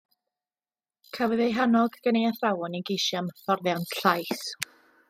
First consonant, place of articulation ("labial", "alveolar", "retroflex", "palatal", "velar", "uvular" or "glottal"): velar